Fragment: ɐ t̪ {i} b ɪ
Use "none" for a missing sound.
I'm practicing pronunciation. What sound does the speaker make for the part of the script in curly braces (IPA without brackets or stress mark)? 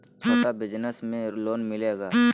a